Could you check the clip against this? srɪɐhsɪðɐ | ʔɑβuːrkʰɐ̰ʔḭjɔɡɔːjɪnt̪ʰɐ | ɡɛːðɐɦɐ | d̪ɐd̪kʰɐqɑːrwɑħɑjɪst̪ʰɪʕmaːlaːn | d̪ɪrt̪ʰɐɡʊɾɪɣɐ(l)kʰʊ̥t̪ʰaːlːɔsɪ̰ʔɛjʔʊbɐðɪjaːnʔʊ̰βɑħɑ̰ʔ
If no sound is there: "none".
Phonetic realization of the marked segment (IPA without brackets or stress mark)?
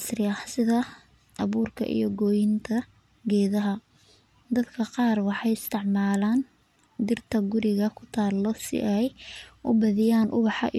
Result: none